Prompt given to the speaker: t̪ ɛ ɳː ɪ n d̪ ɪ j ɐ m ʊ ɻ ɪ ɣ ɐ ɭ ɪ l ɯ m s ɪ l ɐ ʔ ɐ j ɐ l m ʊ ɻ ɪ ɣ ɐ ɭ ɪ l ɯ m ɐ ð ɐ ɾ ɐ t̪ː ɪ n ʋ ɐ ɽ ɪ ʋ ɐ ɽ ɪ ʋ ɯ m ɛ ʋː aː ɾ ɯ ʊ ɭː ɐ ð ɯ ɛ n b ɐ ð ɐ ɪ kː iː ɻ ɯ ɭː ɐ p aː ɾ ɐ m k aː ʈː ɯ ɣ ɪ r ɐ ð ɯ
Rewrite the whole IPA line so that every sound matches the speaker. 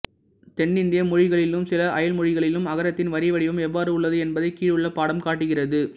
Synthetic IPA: t̪ ɛ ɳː ɪ n d̪ ɪ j ɐ m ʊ ɻ ɪ ɣ ɐ ɭ ɪ l ɯ m s ɪ l ɐ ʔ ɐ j ɐ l m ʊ ɻ ɪ ɣ ɐ ɭ ɪ l ɯ m ɐ ɣ ɐ ɾ ɐ t̪ː ɪ n ʋ ɐ ɾ ɪ ʋ ɐ ɽ ɪ ʋ ɯ m ɛ ʋː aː ɾ ɯ ʊ ɭː ɐ ð ɯ ɛ n b ɐ ð ɐ ɪ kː iː ɻ ɯ ɭː ɐ p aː ɽ ɐ m k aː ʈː ɯ ɣ ɪ r ɐ ð ɯ

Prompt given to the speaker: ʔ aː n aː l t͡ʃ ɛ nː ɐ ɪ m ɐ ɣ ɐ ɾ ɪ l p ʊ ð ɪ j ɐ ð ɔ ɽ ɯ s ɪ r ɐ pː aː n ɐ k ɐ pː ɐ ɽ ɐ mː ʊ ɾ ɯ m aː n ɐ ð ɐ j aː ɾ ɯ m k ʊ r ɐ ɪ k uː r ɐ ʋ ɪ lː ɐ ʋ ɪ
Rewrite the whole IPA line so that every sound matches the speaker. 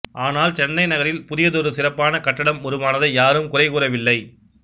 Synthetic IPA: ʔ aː n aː l t͡ʃ ɛ nː ɐ ɪ n ɐ ɣ ɐ ɾ ɪ l p ʊ ð ɪ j ɐ ð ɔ ɾ ɯ s ɪ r ɐ pː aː n ɐ k ɐ ʈː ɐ ɽ ɐ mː ʊ ɾ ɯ m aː n ɐ ð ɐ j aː ɾ ɯ m k ʊ r ɐ ɪ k uː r ɐ ʋ ɪ lː ɐ ɪ

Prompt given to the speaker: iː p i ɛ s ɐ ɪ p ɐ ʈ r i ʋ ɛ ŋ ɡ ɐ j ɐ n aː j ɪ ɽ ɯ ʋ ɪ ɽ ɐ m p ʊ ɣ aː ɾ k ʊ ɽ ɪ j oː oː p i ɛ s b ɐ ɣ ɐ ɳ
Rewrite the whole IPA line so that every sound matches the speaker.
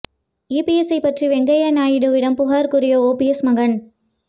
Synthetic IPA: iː p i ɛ s ɐ ɪ p ɐ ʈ r i ʋ ɛ ŋ ɡ ɐ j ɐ n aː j ɪ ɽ ɯ ʋ ɪ ɽ ɐ m p ʊ ɣ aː ɾ k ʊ ɾ ɪ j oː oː p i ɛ s m ɐ ɣ ɐ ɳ

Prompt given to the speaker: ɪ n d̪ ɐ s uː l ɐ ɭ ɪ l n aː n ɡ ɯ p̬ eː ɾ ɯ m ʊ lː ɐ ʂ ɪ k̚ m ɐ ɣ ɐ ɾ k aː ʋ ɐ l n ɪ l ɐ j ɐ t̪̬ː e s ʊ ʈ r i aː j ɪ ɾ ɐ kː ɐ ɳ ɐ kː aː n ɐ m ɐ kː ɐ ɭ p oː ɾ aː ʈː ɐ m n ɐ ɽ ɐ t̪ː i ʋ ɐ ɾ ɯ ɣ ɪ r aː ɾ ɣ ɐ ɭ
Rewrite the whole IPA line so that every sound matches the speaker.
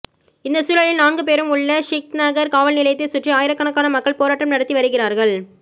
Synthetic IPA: ɪ n d̪ ɐ s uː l ɐ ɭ ɪ l n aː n ɡ ɯ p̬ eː ɾ ɯ m ʊ ɭː ɐ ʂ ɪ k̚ n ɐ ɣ ɐ ɾ k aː ʋ ɐ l n ɪ l ɐ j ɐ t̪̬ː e s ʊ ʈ r i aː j ɪ ɾ ɐ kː ɐ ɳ ɐ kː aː n ɐ m ɐ kː ɐ ɭ p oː ɾ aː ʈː ɐ m n ɐ ɽ ɐ t̪ː i ʋ ɐ ɾ ɯ ɣ ɪ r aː ɾ ɣ ɐ ɭ

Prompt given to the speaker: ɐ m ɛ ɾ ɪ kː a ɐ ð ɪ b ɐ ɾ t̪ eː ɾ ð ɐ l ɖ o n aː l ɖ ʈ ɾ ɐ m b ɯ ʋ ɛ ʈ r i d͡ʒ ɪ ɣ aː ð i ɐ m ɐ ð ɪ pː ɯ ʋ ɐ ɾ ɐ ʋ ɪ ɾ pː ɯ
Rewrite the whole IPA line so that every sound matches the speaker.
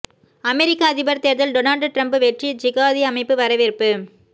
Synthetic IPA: ɐ m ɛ ɾ ɪ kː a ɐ ð ɪ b ɐ ɾ t̪ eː ɾ ð ɐ l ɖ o n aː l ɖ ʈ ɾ ɐ m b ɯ ʋ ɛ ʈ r i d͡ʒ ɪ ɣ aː ð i ɐ m ɐ ɪ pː ɯ ʋ ɐ ɾ ɐ ʋ ɪ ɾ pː ɯ

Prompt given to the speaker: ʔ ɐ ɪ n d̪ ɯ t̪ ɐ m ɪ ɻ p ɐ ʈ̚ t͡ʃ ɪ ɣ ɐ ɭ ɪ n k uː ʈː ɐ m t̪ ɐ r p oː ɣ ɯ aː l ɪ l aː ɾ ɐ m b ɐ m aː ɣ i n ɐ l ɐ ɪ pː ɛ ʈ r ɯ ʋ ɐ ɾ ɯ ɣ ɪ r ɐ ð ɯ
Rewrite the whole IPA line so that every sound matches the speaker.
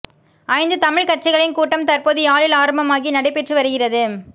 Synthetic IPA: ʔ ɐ ɪ n d̪ ɯ t̪ ɐ m ɪ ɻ k ɐ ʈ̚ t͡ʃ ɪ ɣ ɐ ɭ ɪ n k uː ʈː ɐ m t̪ ɐ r p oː ð ɯ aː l ɪ l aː ɾ ɐ m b ɐ m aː ɣ i n ɐ ɽ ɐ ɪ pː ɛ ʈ r ɯ ʋ ɐ ɾ ɯ ɣ ɪ r ɐ ð ɯ

